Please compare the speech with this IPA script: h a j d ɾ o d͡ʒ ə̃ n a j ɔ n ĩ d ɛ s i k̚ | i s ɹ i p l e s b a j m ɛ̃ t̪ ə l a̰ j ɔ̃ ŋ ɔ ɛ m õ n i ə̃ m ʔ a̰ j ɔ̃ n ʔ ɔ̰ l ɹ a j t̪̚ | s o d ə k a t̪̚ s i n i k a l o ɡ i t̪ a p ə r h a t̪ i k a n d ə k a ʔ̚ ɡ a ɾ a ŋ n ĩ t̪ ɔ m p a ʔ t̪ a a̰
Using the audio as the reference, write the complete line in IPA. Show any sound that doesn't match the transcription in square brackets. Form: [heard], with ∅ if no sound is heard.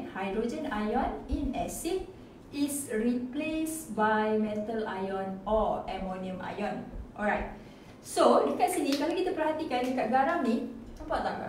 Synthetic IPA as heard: h a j d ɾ o d͡ʒ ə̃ n a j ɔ n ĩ [n] ɛ s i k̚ | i s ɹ i p l e s b a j m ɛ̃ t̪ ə l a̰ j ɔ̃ [n] ɔ ɛ m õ n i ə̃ m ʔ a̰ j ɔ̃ n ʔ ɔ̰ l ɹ a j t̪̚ | s o d ə k a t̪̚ s i n i k a l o [k] i t̪ a p ə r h a t̪ i k a n d ə k a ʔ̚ ɡ a ɾ a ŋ n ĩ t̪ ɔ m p a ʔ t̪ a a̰

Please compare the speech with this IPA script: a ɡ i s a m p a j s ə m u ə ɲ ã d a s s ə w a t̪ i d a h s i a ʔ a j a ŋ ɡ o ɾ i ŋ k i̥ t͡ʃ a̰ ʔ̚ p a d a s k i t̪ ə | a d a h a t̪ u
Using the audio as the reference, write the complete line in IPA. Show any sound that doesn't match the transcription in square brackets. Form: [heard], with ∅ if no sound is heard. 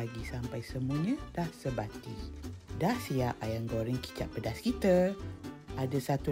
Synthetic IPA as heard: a ɡ i s a m p a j s ə m u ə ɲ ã d a [h] s ə [b] a t̪ i d a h s i a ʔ a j a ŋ ɡ o ɾ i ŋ k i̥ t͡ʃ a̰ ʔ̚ p [ə] d a s k i t̪ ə | a d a [s] a t̪ u

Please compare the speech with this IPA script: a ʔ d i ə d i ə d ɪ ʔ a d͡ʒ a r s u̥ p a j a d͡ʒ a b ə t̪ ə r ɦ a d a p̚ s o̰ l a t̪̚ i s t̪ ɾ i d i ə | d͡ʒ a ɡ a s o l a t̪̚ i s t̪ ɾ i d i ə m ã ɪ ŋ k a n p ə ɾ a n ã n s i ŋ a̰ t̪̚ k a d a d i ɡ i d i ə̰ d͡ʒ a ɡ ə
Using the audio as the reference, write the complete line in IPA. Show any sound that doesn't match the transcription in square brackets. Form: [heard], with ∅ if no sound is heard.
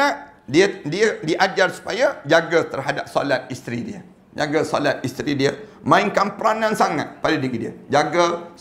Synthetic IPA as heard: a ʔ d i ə d i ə d [i] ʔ a d͡ʒ a r s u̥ p a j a d͡ʒ a [ɡ] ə t̪ ə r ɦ a d a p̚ s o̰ l a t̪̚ i s t̪ ɾ i d i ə | d͡ʒ a ɡ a s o l a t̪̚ i s t̪ ɾ i d i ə m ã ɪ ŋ k a n p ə ɾ a n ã n s [a] ŋ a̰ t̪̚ [p] a d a d i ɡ i d i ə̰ d͡ʒ a ɡ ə

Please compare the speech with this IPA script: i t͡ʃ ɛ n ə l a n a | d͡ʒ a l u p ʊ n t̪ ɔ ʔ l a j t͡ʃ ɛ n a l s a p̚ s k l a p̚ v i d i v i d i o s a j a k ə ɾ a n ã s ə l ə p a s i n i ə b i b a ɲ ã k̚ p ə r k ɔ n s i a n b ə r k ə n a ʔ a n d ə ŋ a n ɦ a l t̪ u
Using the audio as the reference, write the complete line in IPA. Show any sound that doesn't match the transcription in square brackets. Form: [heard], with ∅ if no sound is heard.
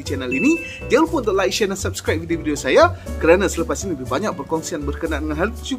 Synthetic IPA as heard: i t͡ʃ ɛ n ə l [i] n [i] | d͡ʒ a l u p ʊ n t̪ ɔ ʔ l a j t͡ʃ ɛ n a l s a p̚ s k [ɾ] a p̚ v i d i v i d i o s a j a k ə ɾ a n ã s ə l ə p a s i n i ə b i b a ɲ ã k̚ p ə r k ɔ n s i a n b ə r k ə n a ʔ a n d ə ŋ a n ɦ a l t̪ u

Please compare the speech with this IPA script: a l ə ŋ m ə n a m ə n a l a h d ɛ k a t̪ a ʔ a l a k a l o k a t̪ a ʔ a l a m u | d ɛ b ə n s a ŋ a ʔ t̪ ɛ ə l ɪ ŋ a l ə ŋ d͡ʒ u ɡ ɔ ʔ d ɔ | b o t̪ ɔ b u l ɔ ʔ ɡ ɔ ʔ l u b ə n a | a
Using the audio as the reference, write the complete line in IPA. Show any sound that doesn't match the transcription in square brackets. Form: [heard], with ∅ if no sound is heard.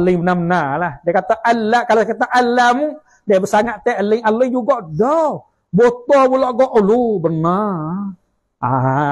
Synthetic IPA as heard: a l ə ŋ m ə n a m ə n a l a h d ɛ k a t̪ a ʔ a l a k a l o k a t̪ a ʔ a l a m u | d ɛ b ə [∅] s a ŋ a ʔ t̪ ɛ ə l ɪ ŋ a l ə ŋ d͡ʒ u ɡ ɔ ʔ d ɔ | b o t̪ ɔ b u l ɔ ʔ ɡ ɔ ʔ l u b ə n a | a

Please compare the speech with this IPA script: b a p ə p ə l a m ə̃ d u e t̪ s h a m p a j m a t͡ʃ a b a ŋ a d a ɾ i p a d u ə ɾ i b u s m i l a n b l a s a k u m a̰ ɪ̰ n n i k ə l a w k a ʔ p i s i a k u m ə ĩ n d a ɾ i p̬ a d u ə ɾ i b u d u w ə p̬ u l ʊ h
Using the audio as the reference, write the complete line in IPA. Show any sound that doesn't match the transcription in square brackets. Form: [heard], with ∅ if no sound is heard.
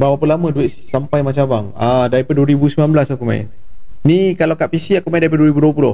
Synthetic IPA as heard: b a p [a] p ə l a m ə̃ d u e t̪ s [s] a m p a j m a t͡ʃ a b a ŋ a d a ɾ i p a d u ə ɾ i b u s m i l a n b l a s a k u m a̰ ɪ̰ n n i k [a] l a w k a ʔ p i s i a k u m [a] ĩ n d a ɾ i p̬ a d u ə ɾ i b u d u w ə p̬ u l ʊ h

